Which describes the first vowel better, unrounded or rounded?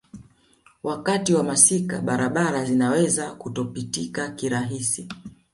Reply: unrounded